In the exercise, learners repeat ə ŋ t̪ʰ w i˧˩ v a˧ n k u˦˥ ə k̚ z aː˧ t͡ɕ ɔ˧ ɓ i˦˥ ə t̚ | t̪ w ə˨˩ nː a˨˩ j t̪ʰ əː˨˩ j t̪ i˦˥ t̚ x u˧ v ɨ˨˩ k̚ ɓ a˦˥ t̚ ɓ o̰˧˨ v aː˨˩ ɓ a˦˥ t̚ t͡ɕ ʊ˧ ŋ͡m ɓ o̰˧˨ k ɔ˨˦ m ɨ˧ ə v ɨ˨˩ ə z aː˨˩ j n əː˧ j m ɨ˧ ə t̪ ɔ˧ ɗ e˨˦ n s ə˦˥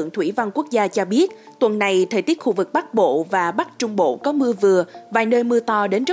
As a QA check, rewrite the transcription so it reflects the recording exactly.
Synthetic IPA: ə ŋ t̪ʰ w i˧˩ v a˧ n k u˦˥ ə k̚ z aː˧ t͡ɕ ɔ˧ ɓ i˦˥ ə t̚ | t̪ w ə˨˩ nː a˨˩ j t̪ʰ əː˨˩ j t̪ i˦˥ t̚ x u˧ v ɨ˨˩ k̚ ɓ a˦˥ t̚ ɓ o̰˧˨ v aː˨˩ ɓ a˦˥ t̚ t͡ɕ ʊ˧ ŋ͡m ɓ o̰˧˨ k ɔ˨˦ m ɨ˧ ə v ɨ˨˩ ə v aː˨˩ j n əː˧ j m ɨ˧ ə t̪ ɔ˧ ɗ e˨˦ n z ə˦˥